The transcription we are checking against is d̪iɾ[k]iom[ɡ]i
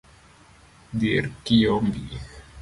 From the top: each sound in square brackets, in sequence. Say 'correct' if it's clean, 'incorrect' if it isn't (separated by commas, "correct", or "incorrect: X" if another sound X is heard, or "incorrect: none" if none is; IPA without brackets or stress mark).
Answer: correct, incorrect: b